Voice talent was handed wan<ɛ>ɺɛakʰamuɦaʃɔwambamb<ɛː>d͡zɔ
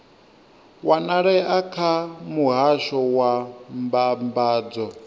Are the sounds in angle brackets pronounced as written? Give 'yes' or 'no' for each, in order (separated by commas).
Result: no, no